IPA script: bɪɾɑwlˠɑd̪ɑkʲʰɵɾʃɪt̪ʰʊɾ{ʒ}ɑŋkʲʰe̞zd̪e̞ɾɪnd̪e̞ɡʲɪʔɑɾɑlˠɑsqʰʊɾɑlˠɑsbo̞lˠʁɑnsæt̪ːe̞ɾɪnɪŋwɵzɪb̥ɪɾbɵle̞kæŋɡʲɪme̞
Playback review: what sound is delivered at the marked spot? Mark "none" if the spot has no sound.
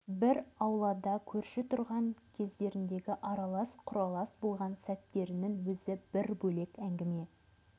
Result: ʁ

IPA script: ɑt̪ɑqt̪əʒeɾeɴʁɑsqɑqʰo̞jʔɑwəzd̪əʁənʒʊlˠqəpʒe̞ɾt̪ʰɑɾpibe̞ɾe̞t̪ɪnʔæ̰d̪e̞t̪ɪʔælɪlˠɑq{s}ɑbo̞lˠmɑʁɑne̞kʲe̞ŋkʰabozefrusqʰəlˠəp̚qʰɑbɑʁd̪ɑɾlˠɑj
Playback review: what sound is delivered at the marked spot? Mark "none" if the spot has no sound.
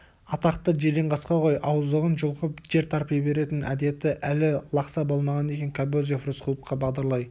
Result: s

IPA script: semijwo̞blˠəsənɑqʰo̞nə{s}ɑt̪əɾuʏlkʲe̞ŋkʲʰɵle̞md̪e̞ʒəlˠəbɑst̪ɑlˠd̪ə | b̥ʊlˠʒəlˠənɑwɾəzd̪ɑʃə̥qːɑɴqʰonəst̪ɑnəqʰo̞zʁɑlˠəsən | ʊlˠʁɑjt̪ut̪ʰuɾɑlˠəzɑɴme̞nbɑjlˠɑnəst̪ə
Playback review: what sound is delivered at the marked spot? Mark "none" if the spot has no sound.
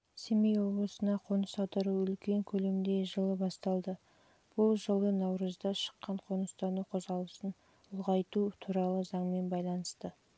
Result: s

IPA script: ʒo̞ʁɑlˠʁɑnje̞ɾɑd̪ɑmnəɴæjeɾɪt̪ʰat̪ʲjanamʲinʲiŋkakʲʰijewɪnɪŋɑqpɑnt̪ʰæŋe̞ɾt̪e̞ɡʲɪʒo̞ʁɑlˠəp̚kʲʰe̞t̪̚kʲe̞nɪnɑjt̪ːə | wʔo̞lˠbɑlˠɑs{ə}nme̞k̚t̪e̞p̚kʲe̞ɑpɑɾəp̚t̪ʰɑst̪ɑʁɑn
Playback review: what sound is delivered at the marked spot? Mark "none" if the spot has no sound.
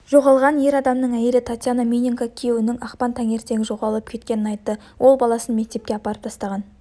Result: ə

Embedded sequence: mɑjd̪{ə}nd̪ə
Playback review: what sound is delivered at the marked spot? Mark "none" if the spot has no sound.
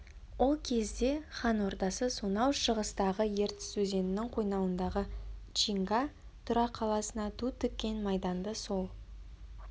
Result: ɑ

